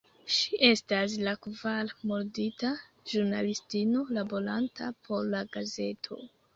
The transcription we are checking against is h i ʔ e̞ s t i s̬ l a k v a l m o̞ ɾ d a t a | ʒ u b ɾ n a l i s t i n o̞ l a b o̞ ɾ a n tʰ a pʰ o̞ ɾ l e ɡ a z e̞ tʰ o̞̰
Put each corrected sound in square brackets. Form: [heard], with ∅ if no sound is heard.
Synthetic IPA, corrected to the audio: [ʃ] i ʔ e̞ s t [a] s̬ l a k v a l m o̞ ɾ d [i] t a | ʒ u [∅] ɾ n a l i s t i n o̞ l a b o̞ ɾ a n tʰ a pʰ o̞ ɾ l [a] ɡ a z e̞ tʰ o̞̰

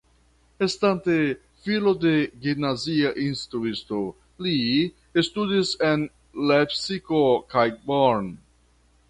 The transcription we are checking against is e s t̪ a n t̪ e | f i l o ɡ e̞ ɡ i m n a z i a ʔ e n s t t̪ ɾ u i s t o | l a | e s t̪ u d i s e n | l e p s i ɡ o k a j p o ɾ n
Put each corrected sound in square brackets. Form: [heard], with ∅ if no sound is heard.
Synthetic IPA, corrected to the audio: e s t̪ a n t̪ e | f i l o [d] e̞ ɡ i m n a z i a ʔ [i] n s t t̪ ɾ u i s t o | l [i] | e s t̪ u d i s e n | l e p s i [k] o k a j [b] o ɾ n

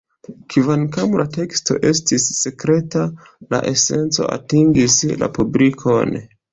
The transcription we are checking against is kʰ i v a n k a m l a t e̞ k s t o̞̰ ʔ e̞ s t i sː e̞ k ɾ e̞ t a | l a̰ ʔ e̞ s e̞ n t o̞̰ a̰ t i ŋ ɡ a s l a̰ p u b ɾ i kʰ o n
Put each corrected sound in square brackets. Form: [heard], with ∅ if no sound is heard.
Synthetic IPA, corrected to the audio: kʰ i v a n k a m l a t e̞ k s t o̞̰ ʔ e̞ s t i sː e̞ k ɾ e̞ t a | l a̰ ʔ e̞ s e̞ n [t͡s] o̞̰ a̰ t i ŋ ɡ [i] s l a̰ p u b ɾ i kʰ o n

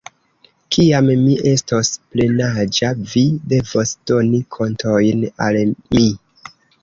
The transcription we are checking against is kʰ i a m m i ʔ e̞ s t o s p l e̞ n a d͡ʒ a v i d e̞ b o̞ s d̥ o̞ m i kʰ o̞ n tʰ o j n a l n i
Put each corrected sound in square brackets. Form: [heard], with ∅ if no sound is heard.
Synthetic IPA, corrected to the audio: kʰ i a m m i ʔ e̞ s t o s p l e̞ n a d͡ʒ a v i d e̞ [v] o̞ s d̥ o̞ [n] i kʰ o̞ n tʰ o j n a l [m] i

